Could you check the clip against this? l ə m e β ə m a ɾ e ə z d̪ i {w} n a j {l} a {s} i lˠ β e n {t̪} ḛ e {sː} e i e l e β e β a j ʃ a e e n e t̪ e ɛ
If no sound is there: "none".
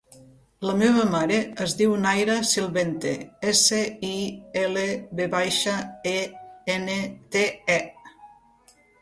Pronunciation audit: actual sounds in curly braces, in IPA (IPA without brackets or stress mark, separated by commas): w, ɾ, s, t̪, s